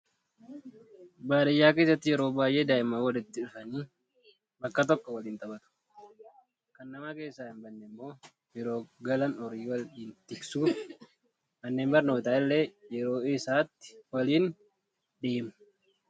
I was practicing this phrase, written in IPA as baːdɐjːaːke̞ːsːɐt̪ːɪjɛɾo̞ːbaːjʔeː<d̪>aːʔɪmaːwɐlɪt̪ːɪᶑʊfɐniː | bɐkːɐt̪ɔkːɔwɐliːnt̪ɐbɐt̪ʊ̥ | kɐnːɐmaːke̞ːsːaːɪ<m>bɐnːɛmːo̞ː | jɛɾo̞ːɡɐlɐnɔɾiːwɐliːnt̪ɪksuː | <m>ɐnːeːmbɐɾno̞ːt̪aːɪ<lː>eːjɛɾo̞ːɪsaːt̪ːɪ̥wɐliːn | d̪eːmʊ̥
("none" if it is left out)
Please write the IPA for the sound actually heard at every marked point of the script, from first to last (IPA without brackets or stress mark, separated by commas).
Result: d̪, m, m, lː